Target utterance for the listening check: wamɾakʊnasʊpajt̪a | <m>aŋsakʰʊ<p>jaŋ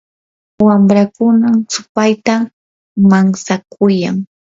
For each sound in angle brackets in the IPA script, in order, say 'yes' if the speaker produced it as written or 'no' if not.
yes, no

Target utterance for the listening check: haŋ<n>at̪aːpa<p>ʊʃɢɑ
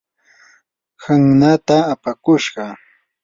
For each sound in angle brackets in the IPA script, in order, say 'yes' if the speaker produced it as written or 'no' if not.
yes, no

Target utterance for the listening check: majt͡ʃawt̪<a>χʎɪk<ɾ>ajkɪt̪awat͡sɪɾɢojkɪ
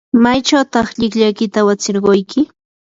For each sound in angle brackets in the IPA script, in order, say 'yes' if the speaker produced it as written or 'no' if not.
no, no

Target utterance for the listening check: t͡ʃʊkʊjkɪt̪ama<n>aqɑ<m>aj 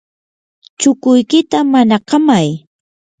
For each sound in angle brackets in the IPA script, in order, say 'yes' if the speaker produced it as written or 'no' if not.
yes, yes

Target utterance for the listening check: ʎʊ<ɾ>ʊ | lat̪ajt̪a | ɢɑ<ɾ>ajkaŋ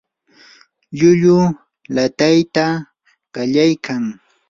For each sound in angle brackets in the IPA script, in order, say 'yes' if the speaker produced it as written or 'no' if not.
no, no

